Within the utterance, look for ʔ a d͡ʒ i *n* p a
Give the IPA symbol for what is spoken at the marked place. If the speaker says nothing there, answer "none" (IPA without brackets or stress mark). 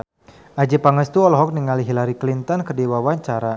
none